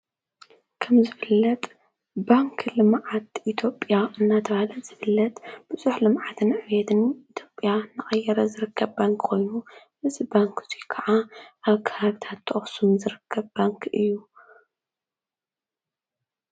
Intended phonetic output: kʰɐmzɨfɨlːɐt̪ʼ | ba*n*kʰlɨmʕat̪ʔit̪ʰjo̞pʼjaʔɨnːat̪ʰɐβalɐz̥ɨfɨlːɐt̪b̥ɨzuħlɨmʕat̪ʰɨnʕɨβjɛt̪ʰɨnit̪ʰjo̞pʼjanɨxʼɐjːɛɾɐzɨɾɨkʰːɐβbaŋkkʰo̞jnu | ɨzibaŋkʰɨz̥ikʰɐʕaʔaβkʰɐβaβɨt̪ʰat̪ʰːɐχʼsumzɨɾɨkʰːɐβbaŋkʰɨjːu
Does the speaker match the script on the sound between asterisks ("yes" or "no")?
no